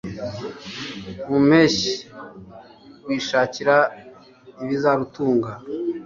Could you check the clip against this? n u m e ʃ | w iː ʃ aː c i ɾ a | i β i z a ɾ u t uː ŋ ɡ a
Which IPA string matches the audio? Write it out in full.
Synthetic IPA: m u m e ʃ | w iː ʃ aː c i ɾ a | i β i z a ɾ u t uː ŋ ɡ a

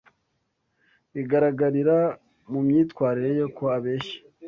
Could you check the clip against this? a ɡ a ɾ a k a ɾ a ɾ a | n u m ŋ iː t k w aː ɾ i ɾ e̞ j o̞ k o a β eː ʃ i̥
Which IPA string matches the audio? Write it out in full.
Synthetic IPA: i ɡ a ɾ a ɡ a ɾ i ɾ a | m u m ɲ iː t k w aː ɾ i ɾ e̞ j o̞ k o a β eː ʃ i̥

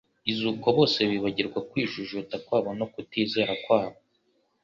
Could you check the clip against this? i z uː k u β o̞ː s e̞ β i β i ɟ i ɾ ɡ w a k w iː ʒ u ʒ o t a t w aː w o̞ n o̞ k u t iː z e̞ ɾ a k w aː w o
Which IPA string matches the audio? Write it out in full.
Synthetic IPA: i z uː k o β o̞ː s e̞ β i β a ɟ i ɾ ɡ w a k w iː ʒ u ʒ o t a k w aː β o̞ n o̞ k u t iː z e̞ ɾ a k w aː β o

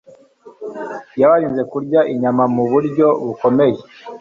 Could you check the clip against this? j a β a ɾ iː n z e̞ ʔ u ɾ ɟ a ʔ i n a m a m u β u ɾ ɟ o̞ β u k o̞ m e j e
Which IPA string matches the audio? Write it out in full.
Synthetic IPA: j a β a ɾ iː n z e̞ k u ɾ ɟ a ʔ i ɲ a m a m u β u ɾ ɟ o̞ β u k o̞ m e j e

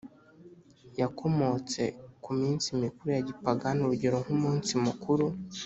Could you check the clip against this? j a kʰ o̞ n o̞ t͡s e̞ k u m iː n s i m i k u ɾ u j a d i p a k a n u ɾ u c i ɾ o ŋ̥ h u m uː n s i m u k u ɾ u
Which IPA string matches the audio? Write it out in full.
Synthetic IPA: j a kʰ o̞ m o̞ t͡s e̞ k u m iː n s i m i k u ɾ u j a ɟ i p a ɡ a n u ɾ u ɟ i ɾ o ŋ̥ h u m uː n s i m u k u ɾ u

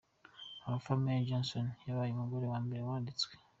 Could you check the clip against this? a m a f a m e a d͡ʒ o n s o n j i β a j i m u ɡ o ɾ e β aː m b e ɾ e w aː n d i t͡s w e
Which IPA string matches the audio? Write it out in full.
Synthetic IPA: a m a f a m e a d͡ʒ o n s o n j a β a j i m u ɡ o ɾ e w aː m b e ɾ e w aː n d i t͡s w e

